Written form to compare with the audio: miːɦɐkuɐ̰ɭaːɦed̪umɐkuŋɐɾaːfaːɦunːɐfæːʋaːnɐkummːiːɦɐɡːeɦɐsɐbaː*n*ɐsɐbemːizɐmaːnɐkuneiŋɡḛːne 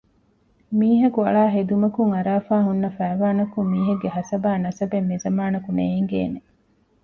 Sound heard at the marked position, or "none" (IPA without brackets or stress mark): n